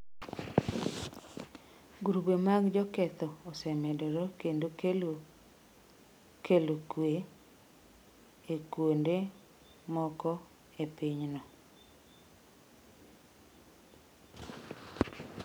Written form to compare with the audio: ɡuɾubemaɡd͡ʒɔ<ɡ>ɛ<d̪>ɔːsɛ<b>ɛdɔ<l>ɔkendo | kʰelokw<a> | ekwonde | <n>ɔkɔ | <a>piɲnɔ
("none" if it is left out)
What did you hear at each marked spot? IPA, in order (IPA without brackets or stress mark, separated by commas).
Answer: k, t̪, m, ɾ, e, m, e